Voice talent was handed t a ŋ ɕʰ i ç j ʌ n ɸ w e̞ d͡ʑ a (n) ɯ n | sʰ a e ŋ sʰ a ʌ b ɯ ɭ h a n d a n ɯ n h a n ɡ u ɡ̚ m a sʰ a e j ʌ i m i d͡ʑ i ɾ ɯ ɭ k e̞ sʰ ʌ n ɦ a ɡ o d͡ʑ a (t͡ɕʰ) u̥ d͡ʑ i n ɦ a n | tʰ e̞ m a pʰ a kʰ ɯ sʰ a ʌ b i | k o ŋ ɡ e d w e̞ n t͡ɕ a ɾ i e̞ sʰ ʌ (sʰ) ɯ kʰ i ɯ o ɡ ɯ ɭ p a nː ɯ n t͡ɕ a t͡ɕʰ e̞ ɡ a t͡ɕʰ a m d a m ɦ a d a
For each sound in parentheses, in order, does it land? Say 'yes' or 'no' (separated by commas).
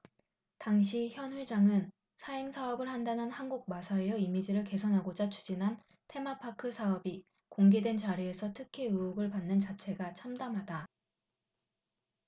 no, yes, no